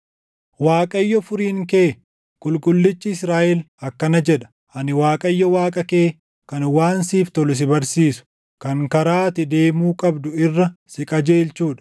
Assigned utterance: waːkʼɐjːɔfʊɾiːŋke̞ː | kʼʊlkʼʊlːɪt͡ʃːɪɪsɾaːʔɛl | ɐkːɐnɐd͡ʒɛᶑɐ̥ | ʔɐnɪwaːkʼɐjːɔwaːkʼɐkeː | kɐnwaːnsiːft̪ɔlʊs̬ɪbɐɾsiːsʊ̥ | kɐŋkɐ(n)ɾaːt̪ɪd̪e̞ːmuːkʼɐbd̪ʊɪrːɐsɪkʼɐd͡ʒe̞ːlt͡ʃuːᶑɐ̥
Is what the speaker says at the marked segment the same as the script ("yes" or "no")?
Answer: no